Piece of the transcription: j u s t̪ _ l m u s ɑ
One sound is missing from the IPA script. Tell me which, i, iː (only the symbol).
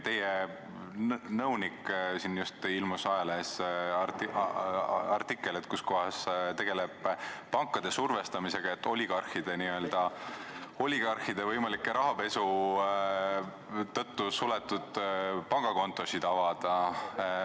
i